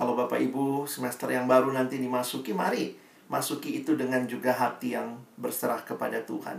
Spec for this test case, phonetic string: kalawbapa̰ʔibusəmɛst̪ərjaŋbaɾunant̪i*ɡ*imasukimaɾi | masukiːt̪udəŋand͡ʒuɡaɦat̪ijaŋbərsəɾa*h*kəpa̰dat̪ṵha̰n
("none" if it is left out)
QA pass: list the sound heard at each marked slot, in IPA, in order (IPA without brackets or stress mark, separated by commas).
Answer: d, h